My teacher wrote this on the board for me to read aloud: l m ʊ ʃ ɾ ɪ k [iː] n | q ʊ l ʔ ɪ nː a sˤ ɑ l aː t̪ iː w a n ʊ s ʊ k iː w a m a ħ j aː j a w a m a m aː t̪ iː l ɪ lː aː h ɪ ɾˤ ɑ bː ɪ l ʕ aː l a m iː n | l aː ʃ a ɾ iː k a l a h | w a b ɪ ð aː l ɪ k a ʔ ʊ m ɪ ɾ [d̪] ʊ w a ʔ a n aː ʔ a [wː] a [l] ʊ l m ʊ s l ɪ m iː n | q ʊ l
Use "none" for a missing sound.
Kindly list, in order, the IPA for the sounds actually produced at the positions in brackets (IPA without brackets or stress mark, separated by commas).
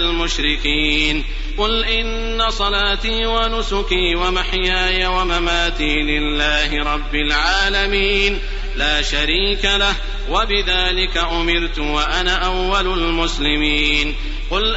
iː, t̪, wː, l